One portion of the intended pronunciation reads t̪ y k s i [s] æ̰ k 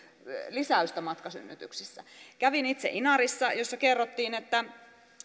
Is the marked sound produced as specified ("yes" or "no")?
no